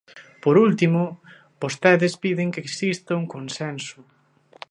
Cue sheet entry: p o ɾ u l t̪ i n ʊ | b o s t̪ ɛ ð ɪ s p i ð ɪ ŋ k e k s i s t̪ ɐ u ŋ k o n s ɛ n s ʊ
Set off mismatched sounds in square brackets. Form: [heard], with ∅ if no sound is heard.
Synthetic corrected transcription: p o ɾ u l t̪ i [m] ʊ | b o s t̪ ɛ ð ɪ s p i ð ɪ ŋ k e k s i s t̪ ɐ u ŋ k o n s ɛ n s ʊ